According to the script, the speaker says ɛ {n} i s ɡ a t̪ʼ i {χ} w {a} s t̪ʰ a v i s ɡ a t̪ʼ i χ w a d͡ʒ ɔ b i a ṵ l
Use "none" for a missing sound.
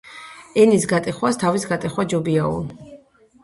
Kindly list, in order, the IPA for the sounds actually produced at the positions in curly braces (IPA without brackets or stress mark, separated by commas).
n, χ, a